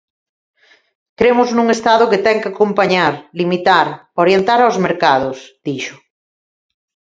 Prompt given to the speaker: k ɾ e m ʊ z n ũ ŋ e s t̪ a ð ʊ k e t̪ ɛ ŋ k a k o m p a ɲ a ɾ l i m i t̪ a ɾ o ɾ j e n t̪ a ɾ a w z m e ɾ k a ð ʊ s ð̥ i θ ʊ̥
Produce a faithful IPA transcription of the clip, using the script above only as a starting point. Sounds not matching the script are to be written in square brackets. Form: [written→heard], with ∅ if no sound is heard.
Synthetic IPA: k ɾ e m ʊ z n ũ ŋ e s t̪ a ð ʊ k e t̪ ɛ ŋ k a k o m p a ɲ a ɾ l i m i t̪ a ɾ o ɾ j e n t̪ a ɾ a w z m e ɾ k a ð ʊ s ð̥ i [θ→ʃ] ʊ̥

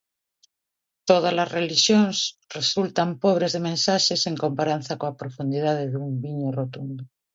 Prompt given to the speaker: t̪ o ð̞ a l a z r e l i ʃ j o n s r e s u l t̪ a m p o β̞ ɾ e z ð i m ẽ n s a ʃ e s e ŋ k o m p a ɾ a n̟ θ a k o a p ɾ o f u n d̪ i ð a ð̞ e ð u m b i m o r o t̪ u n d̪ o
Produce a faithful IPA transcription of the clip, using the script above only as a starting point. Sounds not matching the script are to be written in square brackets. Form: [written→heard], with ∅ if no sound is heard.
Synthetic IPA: t̪ o ð̞ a l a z r e l i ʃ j o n s r e s u l t̪ a m p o β̞ ɾ e z ð [i→e] m ẽ n s a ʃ e s e ŋ k o m p a ɾ a n̟ θ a k o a p ɾ o f u n d̪ i ð a ð̞ e ð u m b i [m→ɲ] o r o t̪ u n d̪ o

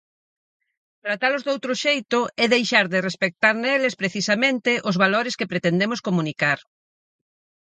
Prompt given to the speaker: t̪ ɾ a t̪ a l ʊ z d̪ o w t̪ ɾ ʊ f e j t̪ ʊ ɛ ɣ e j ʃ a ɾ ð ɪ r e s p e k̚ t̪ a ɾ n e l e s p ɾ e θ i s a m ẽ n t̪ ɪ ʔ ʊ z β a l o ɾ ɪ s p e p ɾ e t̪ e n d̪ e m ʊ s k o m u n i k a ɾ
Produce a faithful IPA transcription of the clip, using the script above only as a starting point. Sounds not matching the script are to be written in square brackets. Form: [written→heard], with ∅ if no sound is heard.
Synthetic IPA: t̪ ɾ a t̪ a l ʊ z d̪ o w t̪ ɾ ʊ [f→ʃ] e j t̪ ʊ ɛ [ɣ→ð] e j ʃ a ɾ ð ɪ r e s p e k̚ t̪ a ɾ n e l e s p ɾ e θ i s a m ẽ n t̪ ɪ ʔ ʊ z β a l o ɾ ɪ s [p→k] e p ɾ e t̪ e n d̪ e m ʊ s k o m u n i k a ɾ

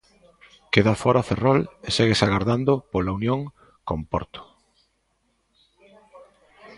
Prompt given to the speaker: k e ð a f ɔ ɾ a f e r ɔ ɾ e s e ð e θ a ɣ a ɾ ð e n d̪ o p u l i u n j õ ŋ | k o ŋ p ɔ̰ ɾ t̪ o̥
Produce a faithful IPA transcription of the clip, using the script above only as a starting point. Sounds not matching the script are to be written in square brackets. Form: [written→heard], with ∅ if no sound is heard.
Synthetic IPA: k e ð a f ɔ ɾ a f e r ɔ [ɾ→l] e s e [ð→ɣ] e [θ→s] a ɣ a ɾ ð [e→a] n d̪ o p [u→o] l [i→a] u n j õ ŋ | k o [ŋ→m] p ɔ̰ ɾ t̪ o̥

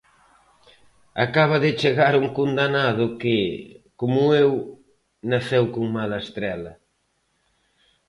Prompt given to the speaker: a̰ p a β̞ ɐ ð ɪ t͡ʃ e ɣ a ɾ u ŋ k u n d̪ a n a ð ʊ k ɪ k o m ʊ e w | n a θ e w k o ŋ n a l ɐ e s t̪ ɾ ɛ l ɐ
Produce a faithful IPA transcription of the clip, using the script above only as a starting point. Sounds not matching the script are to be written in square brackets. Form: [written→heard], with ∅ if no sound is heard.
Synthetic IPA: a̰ [p→k] a β̞ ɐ ð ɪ t͡ʃ e ɣ a ɾ u ŋ k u n d̪ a n a ð ʊ k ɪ k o m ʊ e w | n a θ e w k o ŋ [n→m] a l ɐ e s t̪ ɾ ɛ l ɐ

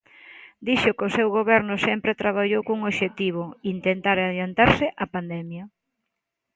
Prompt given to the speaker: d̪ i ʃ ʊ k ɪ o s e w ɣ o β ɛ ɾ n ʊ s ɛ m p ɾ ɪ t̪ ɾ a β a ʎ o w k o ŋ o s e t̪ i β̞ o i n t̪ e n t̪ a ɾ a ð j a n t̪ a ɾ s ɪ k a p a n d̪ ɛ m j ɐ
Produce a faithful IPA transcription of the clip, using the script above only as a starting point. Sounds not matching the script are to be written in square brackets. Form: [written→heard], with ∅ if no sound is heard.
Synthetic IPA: d̪ i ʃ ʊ k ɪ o s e w ɣ o β ɛ ɾ n ʊ s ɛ m p ɾ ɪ t̪ ɾ a β a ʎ o w k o ŋ o [s→ʃ] e t̪ i β̞ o i n t̪ e n t̪ a ɾ a ð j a n t̪ a ɾ s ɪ [k→ʔ] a p a n d̪ ɛ m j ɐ

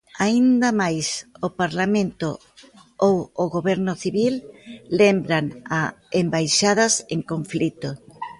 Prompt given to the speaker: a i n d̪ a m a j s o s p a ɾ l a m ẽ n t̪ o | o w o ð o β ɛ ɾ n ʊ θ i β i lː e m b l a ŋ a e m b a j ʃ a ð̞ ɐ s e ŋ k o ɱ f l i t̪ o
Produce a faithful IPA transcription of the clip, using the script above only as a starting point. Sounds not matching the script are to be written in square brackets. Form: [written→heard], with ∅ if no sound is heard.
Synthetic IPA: a i n d̪ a m a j s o [s→∅] p a ɾ l a m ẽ n t̪ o | o w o [ð→ɣ] o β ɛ ɾ n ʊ θ i β i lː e m b [l→ɾ] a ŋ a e m b a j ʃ a ð̞ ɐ s e ŋ k o ɱ f l i t̪ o

